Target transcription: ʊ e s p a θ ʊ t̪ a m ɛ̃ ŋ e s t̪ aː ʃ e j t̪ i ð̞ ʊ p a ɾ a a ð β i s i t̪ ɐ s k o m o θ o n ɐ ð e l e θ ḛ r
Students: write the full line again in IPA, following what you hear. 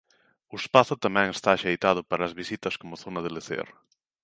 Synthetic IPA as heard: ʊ e s p a θ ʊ t̪ a m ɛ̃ ŋ e s t̪ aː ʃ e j t̪ a ð̞ ʊ p a ɾ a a z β i s i t̪ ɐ s k o m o θ o n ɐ ð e l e θ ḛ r

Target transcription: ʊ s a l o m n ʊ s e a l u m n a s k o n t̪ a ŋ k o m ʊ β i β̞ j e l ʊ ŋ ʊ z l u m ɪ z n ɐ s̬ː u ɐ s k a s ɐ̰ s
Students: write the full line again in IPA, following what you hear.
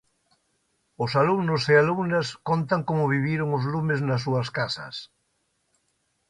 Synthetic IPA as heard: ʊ s a l u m n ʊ s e a l u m n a s k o n t̪ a ŋ k o m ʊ β i β̞ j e ɾ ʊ ŋ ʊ z l u m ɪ z n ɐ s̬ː u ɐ s k a s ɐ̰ s

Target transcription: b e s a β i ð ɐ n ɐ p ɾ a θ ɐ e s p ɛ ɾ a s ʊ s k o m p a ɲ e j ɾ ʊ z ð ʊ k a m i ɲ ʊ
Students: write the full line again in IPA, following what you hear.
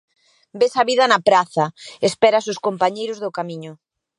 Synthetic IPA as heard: b e s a β i ð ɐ n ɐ p ɾ a θ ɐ e s p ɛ ɾ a s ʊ s k o m p a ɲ e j ɾ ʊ z ð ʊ k a m i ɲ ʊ

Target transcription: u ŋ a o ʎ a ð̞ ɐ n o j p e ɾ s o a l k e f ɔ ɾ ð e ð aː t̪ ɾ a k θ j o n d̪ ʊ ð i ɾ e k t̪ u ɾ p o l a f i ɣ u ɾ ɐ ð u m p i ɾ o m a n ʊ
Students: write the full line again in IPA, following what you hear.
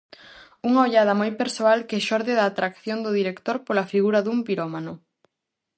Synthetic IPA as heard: u ŋ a o ʎ a ð̞ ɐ m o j p e ɾ s o a l k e ʃ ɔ ɾ ð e ð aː t̪ ɾ a k θ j o n d̪ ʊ ð i ɾ e k t̪ o ɾ p o l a f i ɣ u ɾ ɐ ð u m p i ɾ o m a n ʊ

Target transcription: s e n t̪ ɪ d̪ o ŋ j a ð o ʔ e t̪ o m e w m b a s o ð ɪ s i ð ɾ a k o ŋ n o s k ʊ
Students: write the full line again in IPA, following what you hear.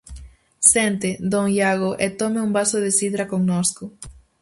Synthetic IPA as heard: s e n t̪ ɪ d̪ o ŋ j a ɣ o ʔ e t̪ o m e u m b a s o ð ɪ s i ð ɾ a k o ŋ n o s k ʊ

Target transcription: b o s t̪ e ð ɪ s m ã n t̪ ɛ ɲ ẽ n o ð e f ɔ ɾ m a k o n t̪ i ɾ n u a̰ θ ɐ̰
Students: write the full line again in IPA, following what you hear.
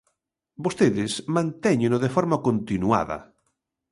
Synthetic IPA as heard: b o s t̪ e ð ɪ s m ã n t̪ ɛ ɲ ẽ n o ð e f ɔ ɾ m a k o n t̪ i n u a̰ ð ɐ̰

